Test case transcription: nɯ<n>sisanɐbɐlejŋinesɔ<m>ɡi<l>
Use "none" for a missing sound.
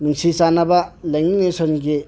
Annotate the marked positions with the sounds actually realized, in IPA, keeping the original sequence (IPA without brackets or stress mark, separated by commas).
ŋ, n, none